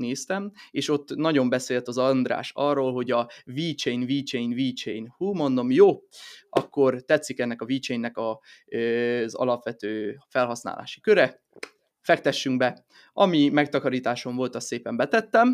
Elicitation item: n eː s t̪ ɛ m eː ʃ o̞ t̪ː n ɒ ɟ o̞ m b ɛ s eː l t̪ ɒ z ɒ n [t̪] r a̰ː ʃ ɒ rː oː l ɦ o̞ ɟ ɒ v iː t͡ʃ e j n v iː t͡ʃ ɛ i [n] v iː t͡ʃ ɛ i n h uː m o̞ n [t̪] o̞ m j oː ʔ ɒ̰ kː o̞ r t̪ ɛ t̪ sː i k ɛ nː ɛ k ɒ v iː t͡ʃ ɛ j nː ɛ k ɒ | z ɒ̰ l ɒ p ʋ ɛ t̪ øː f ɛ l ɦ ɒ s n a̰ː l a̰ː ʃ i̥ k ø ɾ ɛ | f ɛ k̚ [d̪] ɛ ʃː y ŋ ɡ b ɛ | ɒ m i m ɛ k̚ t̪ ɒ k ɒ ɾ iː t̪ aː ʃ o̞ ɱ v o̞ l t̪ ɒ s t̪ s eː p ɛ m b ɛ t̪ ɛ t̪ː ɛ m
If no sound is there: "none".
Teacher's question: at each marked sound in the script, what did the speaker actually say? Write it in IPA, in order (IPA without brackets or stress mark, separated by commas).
d̪, n, d̪, t̪